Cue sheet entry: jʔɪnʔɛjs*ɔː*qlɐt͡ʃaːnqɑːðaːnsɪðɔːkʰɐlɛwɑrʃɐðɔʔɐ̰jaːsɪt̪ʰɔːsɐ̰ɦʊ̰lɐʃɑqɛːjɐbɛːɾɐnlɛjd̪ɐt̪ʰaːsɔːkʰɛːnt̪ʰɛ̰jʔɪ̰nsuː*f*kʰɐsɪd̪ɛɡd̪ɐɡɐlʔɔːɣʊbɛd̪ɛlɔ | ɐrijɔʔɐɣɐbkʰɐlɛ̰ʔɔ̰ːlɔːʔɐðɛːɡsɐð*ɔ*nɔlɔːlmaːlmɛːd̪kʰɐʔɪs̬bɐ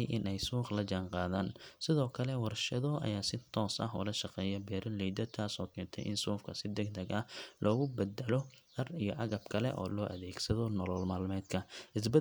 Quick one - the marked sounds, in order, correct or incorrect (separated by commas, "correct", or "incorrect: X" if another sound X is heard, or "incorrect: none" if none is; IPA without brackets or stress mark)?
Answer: incorrect: uː, correct, correct